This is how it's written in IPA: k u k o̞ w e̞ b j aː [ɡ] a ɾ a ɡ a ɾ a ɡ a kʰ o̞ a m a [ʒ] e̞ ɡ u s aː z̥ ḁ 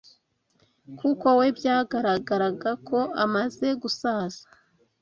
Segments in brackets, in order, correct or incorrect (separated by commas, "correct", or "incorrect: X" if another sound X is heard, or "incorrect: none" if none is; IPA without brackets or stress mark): correct, incorrect: z